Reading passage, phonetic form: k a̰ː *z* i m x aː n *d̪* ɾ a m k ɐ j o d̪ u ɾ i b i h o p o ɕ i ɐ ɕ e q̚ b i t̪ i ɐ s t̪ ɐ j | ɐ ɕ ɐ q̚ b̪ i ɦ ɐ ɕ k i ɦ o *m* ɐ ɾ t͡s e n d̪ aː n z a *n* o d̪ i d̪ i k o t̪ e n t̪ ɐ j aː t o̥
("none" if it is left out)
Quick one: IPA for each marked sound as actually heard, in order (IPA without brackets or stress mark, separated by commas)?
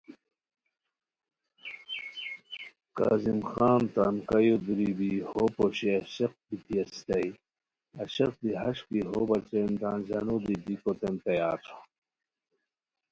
z, t̪, b, n